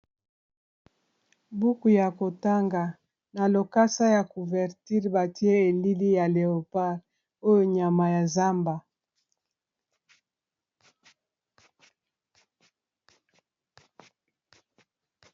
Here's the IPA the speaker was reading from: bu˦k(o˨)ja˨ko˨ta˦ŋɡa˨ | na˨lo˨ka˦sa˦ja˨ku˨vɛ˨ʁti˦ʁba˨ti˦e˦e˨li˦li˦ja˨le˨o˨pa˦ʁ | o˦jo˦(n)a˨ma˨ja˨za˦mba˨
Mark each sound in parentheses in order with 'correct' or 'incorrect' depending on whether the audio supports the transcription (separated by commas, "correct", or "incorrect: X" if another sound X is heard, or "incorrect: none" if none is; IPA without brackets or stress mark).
incorrect: u˨, incorrect: ɲ